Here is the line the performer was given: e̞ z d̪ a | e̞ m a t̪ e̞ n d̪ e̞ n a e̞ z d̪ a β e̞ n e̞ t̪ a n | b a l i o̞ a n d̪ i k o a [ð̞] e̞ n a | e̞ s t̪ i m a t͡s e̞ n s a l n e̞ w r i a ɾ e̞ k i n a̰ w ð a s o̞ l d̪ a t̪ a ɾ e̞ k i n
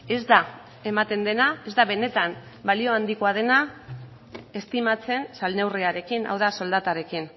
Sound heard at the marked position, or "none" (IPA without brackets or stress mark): ð̞